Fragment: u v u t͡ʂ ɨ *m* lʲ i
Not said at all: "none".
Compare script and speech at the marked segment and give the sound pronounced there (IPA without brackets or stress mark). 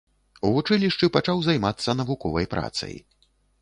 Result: none